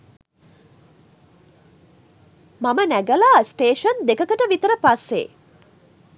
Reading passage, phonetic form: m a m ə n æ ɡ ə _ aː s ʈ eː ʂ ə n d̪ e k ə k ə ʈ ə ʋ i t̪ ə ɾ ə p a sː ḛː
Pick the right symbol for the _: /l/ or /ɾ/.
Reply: l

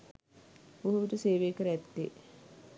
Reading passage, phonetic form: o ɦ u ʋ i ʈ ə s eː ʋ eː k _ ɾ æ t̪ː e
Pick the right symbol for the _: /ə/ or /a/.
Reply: ə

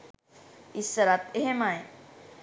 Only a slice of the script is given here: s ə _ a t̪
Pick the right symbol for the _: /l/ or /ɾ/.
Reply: ɾ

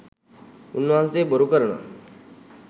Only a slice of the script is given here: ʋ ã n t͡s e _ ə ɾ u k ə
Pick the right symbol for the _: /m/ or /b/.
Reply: b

